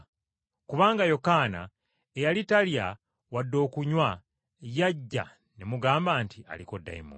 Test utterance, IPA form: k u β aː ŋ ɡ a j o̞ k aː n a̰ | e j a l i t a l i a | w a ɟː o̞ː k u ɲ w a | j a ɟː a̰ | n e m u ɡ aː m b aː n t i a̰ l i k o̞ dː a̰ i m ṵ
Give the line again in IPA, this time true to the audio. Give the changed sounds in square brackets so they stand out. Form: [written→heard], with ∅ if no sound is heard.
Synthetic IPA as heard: k u β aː ŋ ɡ a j o̞ k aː n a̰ | e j a l i t a l [i→j] a | w a [ɟː→dː] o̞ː k u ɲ w a | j a ɟː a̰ | n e m u ɡ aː m b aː n t i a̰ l i k o̞ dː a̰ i m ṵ